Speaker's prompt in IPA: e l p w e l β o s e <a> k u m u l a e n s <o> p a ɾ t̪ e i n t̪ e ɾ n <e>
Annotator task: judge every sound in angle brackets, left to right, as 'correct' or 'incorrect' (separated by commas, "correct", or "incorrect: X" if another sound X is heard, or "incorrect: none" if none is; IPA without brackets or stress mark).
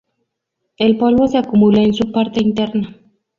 correct, incorrect: u, incorrect: a